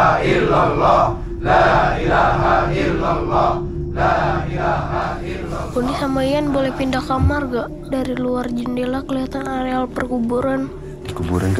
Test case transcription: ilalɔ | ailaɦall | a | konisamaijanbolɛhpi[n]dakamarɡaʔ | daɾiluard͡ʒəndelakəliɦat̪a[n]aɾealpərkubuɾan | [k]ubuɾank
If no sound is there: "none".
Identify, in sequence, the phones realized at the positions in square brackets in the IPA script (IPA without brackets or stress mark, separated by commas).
n, n, k